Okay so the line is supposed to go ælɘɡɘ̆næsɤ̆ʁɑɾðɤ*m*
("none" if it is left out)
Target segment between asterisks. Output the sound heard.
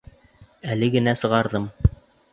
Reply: m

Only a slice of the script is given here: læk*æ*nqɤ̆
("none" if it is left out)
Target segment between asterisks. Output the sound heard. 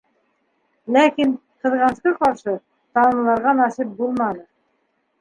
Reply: i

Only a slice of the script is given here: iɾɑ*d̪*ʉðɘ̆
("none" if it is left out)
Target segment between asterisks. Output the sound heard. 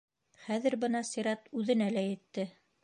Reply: t̪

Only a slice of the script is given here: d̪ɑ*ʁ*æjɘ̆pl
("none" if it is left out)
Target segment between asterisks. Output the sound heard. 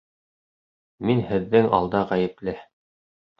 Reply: ʁ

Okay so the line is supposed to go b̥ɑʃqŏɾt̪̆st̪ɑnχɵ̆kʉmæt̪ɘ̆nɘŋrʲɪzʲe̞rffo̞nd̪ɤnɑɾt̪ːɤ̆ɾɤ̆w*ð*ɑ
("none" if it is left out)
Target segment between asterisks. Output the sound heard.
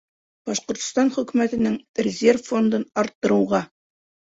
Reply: ʁ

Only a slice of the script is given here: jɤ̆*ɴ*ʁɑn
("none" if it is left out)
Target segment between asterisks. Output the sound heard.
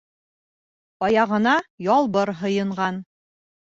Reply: ɴ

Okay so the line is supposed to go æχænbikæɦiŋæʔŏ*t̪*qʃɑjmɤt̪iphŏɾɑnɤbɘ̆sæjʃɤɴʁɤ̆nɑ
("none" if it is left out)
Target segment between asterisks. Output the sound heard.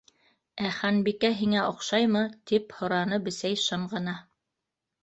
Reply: none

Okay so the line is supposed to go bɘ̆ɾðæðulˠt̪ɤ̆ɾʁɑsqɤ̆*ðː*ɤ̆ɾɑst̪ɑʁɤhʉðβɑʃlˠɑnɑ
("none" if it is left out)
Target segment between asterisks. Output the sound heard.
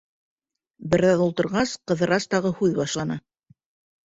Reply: ð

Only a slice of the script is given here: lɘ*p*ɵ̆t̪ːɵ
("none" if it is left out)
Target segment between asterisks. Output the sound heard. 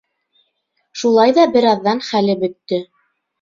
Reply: b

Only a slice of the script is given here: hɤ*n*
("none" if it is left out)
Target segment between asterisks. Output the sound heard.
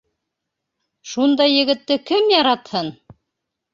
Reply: n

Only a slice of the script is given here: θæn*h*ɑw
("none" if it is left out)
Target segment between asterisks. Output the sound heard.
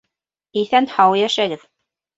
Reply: h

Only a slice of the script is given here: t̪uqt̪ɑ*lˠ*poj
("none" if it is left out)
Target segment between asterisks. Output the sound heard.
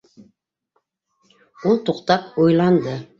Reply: none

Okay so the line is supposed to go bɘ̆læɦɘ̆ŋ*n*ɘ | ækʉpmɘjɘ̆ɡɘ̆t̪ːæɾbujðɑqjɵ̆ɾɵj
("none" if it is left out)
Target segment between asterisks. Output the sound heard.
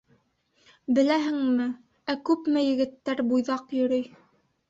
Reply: m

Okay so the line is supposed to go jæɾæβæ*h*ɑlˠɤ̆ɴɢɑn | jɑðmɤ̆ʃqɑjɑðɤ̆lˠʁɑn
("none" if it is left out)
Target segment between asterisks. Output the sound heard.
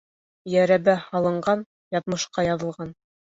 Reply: h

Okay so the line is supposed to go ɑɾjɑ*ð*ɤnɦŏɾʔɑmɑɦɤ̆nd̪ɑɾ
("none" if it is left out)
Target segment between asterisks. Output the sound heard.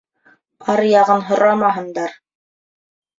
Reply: ʁ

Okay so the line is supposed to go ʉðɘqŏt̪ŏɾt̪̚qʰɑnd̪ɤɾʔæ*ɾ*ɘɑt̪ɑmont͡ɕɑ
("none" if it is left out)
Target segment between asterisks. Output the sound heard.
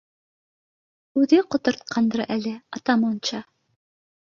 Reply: l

